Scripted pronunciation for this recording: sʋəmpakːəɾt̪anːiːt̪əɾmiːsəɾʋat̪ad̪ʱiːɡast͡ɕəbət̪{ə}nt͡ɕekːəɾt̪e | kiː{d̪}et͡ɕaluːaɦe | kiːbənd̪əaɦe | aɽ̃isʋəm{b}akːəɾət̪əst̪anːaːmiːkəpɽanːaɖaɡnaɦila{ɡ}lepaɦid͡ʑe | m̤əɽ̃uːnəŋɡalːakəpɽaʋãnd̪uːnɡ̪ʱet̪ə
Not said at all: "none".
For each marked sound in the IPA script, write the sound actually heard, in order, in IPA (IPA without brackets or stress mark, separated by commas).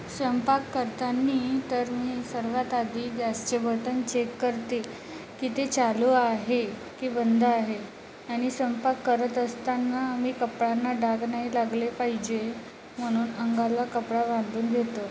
ə, t̪, p, ɡ